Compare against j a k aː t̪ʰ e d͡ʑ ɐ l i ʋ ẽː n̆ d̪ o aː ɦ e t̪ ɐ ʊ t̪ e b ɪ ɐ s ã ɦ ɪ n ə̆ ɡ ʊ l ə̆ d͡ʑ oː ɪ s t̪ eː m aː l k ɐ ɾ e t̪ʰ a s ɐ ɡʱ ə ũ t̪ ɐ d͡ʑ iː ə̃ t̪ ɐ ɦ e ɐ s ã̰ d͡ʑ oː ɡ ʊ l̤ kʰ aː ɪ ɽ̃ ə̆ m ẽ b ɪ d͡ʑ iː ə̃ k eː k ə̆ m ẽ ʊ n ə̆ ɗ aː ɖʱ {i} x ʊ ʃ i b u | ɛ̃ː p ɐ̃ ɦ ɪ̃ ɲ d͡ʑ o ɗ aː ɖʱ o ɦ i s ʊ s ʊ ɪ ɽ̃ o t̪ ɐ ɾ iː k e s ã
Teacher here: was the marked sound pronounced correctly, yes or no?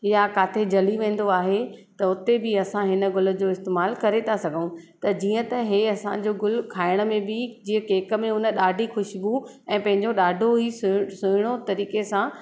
yes